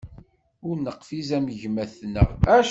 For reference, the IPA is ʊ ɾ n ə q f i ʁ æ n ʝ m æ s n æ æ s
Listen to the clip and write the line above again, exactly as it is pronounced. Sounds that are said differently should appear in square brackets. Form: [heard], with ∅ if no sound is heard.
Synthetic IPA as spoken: ʊ ɾ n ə q f i [z] æ [m] ʝ m æ [θ] n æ æ [ʃ]